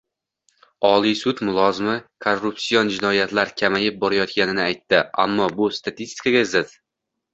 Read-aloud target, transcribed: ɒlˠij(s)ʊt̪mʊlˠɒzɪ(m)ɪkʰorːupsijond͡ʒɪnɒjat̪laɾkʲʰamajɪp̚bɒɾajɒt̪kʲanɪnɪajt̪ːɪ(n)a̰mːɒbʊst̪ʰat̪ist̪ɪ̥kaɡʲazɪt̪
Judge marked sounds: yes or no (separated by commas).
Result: yes, yes, no